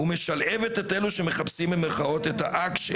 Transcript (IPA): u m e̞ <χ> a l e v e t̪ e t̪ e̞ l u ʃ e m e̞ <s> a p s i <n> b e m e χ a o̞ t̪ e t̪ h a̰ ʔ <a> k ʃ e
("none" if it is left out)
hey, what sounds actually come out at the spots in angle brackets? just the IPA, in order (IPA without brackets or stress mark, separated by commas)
ʃ, χ, m, a